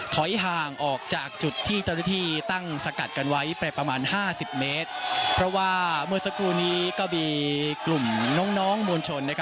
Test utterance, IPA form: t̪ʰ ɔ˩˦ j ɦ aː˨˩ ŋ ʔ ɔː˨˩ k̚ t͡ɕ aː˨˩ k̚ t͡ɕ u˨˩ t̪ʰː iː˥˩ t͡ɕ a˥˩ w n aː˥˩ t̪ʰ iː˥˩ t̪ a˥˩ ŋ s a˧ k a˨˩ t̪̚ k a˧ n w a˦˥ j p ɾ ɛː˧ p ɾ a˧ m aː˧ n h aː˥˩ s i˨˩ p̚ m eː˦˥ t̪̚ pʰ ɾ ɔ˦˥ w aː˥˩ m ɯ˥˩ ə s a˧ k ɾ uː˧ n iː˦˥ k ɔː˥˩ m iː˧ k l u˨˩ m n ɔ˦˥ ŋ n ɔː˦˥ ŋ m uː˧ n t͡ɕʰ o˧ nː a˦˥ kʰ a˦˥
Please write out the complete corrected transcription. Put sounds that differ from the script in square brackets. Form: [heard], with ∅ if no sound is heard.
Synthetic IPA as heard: t̪ʰ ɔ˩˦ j ɦ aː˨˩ ŋ ʔ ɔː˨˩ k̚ t͡ɕ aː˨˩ k̚ t͡ɕ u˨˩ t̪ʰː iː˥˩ t͡ɕ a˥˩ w n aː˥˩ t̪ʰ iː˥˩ t̪ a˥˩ ŋ s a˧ k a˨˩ t̪̚ k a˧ n w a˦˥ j p ɾ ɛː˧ p ɾ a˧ m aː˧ n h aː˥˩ s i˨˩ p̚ m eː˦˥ t̪̚ pʰ ɾ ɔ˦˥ w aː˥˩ m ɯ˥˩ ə s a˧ k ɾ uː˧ n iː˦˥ k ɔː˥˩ m iː˧ k l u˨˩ m n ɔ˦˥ ŋ n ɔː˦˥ ŋ m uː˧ n t͡ɕʰ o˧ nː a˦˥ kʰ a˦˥